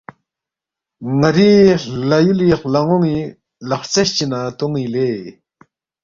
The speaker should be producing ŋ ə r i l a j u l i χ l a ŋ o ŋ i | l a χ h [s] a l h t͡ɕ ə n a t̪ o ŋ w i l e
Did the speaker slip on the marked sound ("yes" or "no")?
yes